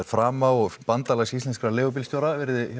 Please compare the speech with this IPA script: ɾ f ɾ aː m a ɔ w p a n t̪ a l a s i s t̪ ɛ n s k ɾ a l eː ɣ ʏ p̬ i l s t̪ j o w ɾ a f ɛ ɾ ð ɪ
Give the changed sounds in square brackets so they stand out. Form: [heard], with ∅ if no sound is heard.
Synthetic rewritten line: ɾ f ɾ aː m a ɔ [ɣ] p a n t̪ a l a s i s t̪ ɛ n s k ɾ a l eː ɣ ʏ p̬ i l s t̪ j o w ɾ a [v] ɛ ɾ ð ɪ